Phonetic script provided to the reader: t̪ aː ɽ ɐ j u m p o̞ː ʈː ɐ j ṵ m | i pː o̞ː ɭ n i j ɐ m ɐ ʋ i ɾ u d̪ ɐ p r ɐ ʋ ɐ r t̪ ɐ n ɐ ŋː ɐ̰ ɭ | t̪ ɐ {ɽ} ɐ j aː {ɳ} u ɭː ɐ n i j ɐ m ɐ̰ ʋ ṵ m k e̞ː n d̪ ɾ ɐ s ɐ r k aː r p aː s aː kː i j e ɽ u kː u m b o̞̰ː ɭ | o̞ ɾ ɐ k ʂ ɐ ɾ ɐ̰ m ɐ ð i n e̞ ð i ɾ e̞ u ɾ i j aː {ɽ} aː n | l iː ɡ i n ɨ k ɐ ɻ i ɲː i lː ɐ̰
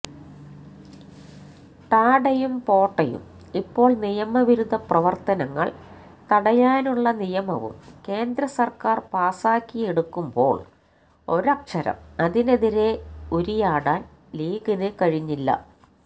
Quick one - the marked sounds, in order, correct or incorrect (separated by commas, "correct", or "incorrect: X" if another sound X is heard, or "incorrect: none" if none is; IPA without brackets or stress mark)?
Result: correct, incorrect: n, correct